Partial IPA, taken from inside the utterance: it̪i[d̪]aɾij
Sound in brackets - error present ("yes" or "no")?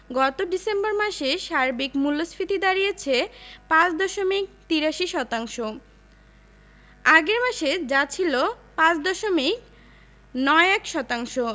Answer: no